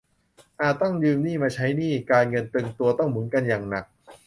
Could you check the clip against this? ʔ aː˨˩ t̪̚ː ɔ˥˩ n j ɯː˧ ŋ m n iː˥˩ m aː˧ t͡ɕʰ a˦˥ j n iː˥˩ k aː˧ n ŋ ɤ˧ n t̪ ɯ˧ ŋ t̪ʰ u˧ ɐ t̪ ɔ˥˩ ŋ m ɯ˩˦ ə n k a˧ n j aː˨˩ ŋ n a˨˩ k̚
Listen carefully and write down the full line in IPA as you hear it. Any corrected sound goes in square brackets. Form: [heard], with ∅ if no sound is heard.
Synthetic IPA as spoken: ʔ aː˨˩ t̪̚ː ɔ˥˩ [ŋ] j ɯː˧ [∅] m n iː˥˩ m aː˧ t͡ɕʰ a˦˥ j n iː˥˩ k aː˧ n ŋ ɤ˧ n t̪ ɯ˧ ŋ [t̪] u˧ ɐ t̪ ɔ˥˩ ŋ m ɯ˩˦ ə n k a˧ n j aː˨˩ ŋ n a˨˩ k̚